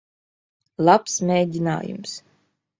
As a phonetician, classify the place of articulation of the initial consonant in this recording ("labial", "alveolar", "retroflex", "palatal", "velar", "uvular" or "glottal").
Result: alveolar